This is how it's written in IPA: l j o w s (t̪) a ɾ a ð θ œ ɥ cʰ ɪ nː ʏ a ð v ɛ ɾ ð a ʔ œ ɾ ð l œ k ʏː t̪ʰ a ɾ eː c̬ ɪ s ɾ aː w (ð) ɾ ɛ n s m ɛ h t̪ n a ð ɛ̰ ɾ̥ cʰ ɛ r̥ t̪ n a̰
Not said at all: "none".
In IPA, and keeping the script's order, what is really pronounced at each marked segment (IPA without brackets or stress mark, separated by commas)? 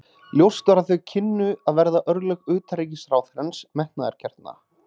t̪, θ